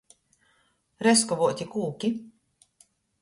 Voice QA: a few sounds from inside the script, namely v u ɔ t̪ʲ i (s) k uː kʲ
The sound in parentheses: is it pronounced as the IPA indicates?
no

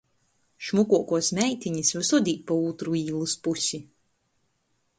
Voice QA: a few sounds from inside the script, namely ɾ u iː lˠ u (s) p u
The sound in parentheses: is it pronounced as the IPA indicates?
yes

